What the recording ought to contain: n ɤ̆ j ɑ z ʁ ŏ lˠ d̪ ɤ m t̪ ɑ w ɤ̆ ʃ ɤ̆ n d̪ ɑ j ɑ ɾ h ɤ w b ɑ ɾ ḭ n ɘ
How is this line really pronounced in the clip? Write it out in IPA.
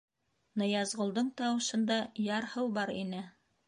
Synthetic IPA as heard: n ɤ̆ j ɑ z ʁ ŏ lˠ d̪ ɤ ɴ t̪ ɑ w ɤ̆ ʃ ɤ̆ n d̪ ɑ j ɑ ɾ h ɤ w b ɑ ɾ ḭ n ɘ